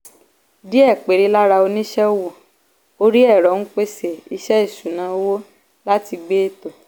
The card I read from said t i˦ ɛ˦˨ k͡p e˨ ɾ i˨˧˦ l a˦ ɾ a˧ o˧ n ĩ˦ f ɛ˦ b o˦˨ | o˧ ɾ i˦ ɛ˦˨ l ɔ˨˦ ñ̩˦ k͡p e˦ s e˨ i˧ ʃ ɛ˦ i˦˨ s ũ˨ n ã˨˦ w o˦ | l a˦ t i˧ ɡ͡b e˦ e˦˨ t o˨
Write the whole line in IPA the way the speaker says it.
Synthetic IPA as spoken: d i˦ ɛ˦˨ k͡p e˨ ɾ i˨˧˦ l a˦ ɾ a˧ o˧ n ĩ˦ ʃ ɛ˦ w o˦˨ | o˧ ɾ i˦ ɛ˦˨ ɾ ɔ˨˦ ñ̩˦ k͡p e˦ s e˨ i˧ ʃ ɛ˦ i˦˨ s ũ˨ n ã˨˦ w o˦ | l a˦ t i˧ ɡ͡b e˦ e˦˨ t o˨